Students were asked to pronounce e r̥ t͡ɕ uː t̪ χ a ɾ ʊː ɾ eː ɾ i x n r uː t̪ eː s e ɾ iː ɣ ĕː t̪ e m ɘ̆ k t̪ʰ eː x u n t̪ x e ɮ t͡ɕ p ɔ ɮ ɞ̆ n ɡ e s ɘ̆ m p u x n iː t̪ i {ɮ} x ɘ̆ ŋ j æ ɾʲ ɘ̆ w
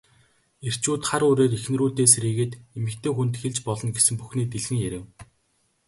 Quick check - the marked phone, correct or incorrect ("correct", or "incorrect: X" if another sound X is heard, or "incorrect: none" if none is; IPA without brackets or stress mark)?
correct